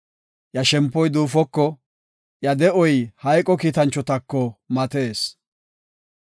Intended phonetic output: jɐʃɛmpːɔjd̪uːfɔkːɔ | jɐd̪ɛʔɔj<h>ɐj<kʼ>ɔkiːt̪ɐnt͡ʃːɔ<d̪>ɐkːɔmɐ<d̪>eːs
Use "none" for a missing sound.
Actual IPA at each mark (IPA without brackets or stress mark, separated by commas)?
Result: h, kʼ, t̪, t̪